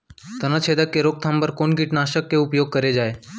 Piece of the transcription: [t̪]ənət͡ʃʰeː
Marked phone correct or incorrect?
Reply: correct